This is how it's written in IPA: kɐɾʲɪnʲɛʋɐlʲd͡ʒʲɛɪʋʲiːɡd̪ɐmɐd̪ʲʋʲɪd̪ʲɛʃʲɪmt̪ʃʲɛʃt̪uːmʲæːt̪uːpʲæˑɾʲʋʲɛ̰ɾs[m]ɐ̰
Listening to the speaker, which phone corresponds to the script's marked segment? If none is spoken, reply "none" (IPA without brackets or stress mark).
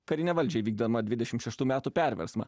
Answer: m